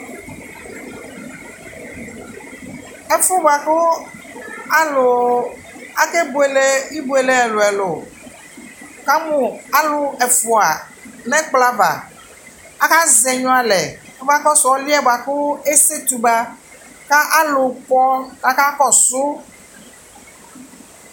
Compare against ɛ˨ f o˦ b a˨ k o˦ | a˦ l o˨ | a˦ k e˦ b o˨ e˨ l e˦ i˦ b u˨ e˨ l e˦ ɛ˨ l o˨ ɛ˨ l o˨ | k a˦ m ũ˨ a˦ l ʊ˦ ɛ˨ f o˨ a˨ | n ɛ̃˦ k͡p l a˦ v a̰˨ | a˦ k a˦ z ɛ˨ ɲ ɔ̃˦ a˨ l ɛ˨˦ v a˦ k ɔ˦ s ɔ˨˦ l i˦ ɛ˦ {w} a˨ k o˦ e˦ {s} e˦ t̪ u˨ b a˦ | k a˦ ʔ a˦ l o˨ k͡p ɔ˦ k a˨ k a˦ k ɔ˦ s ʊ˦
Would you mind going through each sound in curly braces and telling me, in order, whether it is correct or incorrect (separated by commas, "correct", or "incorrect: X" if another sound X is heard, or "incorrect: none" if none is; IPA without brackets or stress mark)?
incorrect: b, correct